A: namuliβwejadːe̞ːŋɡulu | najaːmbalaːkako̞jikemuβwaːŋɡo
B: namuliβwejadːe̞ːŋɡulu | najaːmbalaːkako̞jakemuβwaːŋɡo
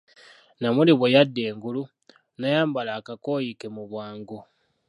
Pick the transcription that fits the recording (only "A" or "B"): A